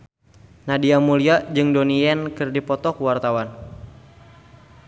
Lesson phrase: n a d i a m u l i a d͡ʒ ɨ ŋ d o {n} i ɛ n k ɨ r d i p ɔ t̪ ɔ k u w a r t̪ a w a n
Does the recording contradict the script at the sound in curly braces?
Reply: no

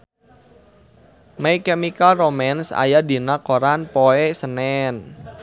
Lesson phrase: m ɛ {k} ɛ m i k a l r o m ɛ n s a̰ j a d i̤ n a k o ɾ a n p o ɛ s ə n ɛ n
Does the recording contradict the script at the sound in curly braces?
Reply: no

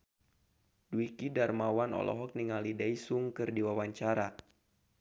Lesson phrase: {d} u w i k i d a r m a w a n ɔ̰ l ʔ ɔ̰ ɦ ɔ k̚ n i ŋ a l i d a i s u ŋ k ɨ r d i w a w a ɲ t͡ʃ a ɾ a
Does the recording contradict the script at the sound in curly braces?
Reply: no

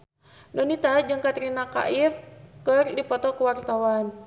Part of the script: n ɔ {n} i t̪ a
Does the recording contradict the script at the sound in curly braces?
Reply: no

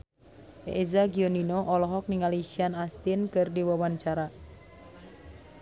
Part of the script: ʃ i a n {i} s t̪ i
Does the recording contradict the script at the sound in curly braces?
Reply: yes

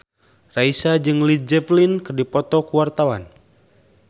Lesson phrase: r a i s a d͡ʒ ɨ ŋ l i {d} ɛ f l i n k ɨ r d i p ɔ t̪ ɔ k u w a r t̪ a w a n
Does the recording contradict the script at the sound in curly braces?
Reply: yes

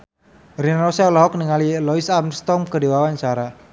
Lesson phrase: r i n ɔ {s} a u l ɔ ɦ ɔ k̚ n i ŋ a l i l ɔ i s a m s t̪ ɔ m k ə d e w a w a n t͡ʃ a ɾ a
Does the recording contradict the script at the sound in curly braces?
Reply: no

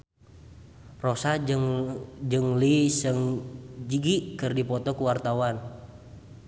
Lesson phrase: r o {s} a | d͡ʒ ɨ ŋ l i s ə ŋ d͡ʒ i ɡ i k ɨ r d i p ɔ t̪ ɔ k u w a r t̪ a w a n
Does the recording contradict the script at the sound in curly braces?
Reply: no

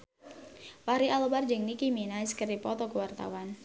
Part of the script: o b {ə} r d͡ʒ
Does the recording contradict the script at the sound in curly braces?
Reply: yes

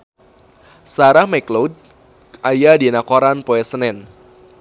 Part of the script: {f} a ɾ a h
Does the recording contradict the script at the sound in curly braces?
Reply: yes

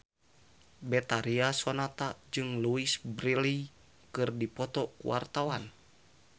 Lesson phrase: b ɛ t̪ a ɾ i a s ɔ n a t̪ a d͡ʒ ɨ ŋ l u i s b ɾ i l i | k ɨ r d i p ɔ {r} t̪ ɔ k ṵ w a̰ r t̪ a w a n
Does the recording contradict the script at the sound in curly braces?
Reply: yes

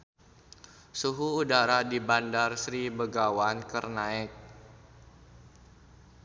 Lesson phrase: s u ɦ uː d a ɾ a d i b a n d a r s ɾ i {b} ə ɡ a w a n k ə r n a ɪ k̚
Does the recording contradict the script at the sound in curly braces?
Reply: no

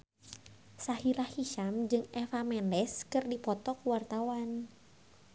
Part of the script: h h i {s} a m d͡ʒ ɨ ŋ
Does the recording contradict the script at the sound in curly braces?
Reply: yes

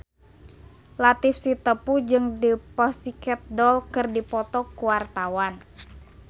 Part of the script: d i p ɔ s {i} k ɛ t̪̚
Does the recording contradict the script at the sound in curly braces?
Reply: no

